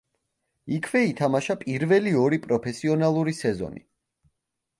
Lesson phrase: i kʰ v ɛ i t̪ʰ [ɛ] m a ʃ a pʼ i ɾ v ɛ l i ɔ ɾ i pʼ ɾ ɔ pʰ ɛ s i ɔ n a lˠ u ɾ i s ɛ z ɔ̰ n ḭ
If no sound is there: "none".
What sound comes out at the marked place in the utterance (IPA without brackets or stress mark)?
a